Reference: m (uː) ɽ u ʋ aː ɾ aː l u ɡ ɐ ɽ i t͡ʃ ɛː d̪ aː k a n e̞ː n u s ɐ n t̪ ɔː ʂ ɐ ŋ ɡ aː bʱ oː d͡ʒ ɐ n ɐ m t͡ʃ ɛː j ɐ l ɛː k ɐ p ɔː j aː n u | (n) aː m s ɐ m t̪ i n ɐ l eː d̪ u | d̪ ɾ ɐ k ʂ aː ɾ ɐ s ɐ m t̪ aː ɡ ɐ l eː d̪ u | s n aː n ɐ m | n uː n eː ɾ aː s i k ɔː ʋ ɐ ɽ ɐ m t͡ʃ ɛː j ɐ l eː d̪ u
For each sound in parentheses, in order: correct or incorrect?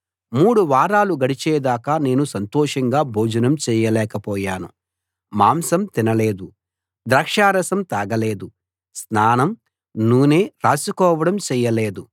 correct, incorrect

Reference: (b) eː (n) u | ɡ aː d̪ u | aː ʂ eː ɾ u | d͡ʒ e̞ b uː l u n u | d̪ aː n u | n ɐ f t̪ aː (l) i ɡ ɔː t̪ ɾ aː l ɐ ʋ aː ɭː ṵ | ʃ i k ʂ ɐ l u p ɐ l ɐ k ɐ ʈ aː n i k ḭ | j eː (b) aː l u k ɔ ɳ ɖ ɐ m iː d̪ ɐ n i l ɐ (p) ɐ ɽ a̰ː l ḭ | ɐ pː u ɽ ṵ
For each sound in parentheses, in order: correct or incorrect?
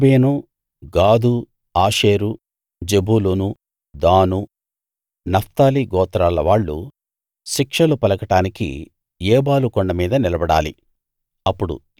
correct, correct, correct, correct, incorrect

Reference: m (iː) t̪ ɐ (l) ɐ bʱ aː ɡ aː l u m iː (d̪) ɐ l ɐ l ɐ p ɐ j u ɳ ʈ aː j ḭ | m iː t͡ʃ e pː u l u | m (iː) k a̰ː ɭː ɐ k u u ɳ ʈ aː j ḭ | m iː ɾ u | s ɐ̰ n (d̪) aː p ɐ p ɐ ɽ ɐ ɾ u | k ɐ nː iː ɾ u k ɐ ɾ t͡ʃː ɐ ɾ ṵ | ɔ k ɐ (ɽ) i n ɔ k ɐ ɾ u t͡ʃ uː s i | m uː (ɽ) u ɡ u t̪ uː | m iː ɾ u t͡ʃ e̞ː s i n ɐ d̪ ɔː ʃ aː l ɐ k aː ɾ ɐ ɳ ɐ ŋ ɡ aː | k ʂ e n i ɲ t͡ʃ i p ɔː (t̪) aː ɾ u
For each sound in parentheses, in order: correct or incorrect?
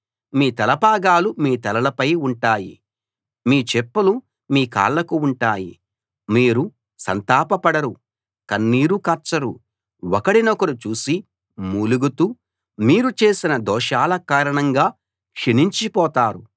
correct, correct, incorrect, correct, incorrect, correct, incorrect, correct

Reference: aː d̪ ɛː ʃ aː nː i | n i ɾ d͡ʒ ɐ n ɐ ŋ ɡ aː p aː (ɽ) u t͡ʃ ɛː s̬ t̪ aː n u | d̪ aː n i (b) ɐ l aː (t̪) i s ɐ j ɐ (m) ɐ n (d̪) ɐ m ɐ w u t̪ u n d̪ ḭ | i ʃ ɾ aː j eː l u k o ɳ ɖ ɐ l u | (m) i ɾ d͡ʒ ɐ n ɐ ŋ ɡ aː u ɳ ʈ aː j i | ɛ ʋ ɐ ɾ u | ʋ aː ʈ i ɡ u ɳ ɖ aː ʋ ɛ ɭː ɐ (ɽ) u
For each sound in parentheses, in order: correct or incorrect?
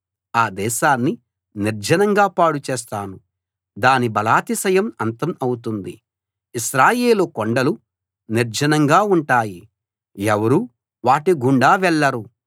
correct, correct, correct, correct, incorrect, incorrect, incorrect

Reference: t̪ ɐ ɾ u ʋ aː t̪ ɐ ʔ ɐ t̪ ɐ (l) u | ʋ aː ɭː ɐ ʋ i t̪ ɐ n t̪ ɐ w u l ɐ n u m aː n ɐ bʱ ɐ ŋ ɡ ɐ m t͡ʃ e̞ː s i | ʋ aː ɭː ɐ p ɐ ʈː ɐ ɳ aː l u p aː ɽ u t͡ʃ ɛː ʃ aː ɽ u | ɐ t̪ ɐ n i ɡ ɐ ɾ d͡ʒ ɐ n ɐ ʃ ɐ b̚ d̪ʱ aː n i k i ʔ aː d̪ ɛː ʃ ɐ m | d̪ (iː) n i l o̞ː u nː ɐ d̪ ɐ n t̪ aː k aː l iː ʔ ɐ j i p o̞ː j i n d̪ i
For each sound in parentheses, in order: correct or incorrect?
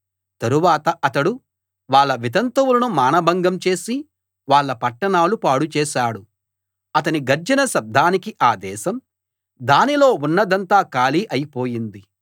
incorrect, incorrect

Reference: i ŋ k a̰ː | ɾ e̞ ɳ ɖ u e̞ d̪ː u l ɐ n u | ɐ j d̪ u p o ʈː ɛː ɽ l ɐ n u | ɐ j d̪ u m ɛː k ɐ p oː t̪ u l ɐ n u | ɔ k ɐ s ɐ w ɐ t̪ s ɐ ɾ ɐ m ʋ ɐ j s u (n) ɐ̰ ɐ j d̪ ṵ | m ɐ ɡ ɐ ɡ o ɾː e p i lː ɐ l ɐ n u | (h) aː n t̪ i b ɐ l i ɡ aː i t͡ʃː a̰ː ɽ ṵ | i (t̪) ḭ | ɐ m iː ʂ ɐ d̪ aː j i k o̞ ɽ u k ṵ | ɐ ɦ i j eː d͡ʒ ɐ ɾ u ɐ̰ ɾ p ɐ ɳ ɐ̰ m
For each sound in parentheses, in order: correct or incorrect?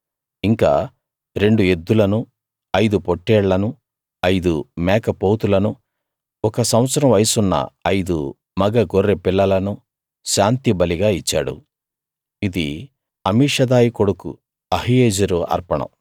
incorrect, incorrect, incorrect

